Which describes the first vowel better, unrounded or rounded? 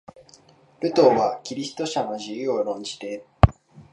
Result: unrounded